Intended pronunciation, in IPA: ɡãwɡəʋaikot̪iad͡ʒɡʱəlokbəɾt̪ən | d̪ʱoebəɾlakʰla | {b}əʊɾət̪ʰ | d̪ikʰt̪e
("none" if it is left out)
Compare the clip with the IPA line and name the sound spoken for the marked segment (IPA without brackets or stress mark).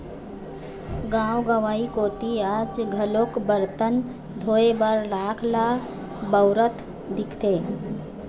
b